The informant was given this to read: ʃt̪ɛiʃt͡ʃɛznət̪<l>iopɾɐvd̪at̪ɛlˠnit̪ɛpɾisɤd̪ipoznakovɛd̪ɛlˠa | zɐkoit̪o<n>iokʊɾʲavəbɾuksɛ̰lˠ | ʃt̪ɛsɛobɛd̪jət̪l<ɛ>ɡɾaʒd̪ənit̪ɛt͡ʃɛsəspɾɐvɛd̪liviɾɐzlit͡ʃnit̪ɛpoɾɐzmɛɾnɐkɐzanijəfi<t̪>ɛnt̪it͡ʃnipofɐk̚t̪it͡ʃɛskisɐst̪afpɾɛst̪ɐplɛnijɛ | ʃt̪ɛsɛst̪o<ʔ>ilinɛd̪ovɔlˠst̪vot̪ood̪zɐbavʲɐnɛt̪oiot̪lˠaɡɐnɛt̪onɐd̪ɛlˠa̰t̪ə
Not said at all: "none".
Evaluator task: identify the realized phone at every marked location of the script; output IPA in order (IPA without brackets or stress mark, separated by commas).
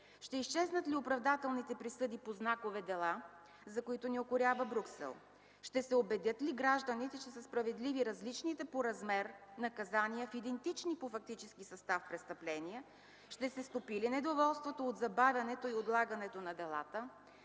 l, n, i, d̪, p